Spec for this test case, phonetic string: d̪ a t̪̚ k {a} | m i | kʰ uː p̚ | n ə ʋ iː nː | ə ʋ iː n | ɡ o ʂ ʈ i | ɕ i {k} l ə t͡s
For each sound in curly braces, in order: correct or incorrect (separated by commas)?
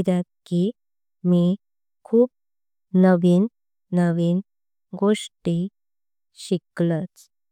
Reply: incorrect, correct